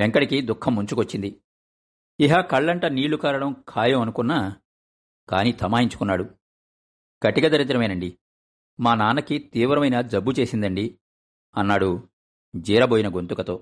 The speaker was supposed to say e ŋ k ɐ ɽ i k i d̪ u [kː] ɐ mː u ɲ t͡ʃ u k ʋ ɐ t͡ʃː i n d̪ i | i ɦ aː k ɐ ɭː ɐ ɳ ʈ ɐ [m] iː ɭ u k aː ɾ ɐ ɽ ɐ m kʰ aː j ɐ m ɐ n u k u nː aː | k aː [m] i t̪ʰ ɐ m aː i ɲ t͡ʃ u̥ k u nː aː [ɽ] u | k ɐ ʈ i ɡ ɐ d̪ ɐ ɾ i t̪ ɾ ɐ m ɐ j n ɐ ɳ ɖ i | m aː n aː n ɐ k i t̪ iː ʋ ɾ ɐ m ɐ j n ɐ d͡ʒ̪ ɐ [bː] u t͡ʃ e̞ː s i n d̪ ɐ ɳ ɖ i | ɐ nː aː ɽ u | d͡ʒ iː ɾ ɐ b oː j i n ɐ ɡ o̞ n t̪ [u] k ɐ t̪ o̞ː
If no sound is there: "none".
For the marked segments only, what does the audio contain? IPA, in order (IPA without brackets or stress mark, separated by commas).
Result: kʰː, n, n, ɽ, bː, u